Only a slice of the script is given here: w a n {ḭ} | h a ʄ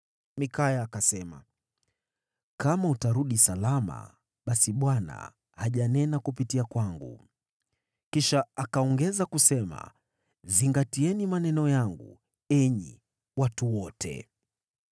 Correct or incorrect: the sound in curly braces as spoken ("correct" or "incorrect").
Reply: incorrect